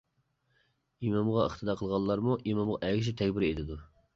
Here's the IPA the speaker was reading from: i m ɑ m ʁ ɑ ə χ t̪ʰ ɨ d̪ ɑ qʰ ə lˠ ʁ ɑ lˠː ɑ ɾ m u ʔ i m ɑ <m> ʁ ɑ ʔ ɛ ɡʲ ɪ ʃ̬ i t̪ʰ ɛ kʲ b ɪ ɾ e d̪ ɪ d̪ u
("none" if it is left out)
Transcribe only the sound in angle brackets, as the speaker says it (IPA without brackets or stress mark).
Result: m